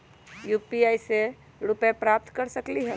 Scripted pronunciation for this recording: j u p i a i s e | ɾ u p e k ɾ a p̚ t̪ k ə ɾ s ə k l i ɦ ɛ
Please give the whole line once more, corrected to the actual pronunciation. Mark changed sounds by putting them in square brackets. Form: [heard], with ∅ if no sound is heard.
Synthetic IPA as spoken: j u p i a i s e | ɾ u p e [p] ɾ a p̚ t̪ k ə ɾ s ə k l i ɦ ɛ